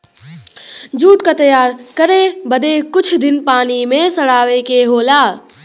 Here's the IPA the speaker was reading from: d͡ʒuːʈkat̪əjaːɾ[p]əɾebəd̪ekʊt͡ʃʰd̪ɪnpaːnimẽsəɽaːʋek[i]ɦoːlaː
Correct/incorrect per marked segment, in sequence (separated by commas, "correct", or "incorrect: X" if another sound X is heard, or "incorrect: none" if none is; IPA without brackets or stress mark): incorrect: k, incorrect: e